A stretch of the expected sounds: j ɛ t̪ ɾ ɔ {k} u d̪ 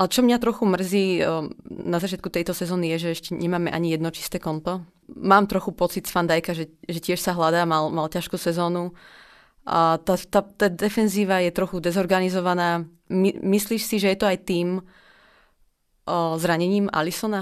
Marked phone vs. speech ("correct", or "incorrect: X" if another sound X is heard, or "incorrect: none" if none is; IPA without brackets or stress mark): incorrect: x